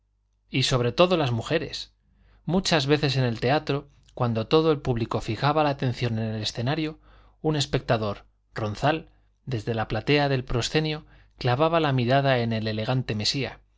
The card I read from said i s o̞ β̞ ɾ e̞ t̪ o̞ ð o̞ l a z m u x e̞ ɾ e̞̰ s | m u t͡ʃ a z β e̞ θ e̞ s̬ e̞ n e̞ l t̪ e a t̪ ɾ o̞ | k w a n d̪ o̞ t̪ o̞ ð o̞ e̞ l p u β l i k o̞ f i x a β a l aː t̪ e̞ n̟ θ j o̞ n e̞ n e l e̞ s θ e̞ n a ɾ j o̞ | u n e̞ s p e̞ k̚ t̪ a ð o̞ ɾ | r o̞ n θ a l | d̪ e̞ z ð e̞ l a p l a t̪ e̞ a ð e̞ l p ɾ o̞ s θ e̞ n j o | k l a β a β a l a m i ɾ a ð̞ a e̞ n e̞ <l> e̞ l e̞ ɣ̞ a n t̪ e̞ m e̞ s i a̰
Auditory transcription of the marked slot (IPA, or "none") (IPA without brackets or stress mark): l